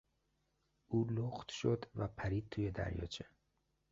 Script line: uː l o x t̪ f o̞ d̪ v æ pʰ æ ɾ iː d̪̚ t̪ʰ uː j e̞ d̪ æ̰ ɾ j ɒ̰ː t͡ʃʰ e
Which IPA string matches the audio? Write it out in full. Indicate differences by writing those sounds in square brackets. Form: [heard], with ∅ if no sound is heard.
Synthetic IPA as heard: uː l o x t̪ [ʃ] o̞ d̪ v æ pʰ æ ɾ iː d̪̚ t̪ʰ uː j e̞ d̪ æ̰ ɾ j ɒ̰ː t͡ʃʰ e